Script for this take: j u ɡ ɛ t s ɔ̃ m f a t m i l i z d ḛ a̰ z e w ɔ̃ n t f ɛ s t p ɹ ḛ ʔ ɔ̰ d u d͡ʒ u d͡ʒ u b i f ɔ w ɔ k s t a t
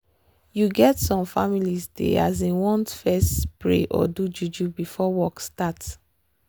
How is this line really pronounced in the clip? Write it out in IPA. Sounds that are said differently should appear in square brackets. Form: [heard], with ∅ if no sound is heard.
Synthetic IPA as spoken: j u ɡ ɛ t s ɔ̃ m f a [∅] m i l i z d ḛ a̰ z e w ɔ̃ n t f ɛ s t p ɹ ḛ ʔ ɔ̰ d u d͡ʒ u d͡ʒ u b i f ɔ w ɔ k s t a t

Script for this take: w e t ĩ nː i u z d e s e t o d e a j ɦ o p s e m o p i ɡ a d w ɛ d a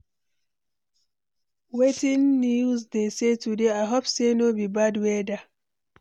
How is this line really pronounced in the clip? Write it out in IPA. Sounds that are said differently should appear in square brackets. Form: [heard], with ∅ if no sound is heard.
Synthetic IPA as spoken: w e t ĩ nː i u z d e s e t [u] d e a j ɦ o p s e [n] o [b] i [b] a d w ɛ d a

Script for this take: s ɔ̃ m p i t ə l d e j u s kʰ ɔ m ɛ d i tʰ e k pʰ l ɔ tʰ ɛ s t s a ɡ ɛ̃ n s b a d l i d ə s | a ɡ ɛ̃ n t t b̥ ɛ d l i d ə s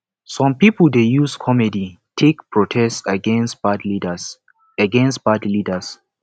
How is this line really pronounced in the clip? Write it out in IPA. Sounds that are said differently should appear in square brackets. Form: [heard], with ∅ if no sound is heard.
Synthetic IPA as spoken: s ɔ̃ m p i [p] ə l d e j u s kʰ ɔ m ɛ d i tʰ e k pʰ [ɹ] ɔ tʰ ɛ s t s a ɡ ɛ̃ n s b a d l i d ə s | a ɡ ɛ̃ n [s] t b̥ [a] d l i d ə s

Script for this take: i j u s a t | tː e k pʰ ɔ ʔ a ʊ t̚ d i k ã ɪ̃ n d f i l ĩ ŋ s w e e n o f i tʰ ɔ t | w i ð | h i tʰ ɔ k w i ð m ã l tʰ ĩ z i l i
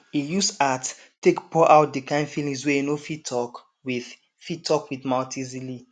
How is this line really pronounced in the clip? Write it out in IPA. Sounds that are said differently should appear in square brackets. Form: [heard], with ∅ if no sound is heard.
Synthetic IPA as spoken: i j u s a t | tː e k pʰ ɔ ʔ a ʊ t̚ d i k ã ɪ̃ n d f i l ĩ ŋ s w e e n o f i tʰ ɔ [k] | w i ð | [f] i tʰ ɔ k w i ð m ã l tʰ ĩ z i l i

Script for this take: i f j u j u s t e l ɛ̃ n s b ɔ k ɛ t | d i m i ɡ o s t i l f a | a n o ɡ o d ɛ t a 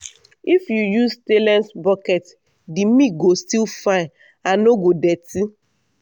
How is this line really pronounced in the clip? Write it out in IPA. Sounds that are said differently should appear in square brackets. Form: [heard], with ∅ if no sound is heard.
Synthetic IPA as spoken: i f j u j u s t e l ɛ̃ n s b ɔ k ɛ t | d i m i ɡ o s t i l f a | a n o ɡ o d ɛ t [i]

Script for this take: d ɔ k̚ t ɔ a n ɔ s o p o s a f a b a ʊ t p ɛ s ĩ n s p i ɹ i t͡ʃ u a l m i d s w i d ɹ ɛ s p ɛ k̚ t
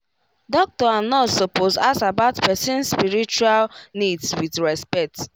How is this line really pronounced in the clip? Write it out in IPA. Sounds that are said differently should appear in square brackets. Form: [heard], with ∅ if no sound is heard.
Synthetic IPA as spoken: d ɔ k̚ t ɔ a n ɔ s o p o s a [s] a b a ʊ t p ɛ s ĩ n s p i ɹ i t͡ʃ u a l [n] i d s w i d ɹ ɛ s p ɛ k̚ t

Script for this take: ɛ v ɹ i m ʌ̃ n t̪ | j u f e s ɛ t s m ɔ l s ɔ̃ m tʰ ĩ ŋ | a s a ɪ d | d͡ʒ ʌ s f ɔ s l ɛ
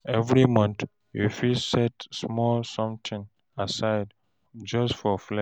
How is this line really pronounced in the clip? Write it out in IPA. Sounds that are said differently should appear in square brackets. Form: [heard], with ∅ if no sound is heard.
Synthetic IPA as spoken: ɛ v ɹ i m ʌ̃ n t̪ | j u f [i] s ɛ t s m ɔ l s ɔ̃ m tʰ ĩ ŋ | a s a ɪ d | d͡ʒ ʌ s f ɔ [f] l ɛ

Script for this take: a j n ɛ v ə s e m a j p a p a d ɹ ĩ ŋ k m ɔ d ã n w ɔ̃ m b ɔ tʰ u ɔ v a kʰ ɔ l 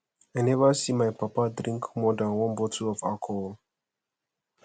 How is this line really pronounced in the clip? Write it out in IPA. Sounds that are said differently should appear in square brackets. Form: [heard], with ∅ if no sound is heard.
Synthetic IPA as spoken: a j n ɛ v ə s [i] m a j p a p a d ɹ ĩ ŋ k m ɔ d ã n w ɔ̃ [n] b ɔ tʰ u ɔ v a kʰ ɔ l

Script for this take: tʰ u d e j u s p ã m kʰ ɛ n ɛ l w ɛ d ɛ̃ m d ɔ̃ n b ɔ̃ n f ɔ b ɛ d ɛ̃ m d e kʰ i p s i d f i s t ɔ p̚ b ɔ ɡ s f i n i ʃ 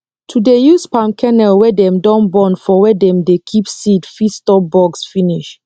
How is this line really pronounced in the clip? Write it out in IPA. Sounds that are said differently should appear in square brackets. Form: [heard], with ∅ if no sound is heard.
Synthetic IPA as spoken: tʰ u d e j u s p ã m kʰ ɛ n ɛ l w ɛ d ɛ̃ m d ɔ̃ n b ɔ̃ n f ɔ [w] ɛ d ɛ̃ m d e kʰ i p s i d f i s t ɔ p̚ b ɔ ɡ s f i n i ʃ

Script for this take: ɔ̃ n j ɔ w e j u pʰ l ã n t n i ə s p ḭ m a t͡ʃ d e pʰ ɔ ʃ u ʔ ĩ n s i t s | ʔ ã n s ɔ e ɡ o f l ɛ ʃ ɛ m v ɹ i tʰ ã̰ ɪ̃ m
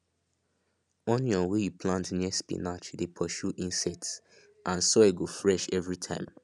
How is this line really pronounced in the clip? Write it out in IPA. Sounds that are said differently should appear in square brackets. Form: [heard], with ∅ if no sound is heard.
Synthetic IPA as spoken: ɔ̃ n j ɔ w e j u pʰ l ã n t n i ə s p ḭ [n] a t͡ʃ d e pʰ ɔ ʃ u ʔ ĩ n s [ɛ] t s | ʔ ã n s ɔ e ɡ o f [ɹ] ɛ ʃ ɛ [∅] v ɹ i tʰ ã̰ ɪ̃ m

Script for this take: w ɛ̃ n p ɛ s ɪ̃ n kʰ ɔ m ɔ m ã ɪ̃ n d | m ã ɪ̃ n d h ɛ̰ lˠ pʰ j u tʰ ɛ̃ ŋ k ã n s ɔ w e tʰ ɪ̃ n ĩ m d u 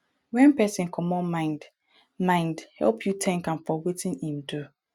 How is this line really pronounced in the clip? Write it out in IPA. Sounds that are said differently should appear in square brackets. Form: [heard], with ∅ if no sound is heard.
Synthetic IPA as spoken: w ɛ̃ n p ɛ s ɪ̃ n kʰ ɔ m ɔ m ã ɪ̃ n d | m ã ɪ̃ n d h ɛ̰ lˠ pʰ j u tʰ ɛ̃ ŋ k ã n [f] ɔ w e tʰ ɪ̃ n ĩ m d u

